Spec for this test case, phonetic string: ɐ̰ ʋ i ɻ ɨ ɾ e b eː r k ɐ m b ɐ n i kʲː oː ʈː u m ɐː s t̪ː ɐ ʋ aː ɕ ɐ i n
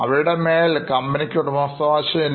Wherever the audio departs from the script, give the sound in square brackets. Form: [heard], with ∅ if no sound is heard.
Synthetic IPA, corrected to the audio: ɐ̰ ʋ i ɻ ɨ [ɽ] e [m] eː [l] k ɐ m b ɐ n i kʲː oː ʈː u m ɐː s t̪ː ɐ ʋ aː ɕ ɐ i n